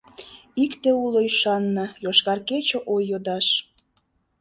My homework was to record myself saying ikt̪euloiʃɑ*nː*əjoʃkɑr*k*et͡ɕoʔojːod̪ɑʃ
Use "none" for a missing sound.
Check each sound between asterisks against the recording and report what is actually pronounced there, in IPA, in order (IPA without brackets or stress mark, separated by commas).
nː, k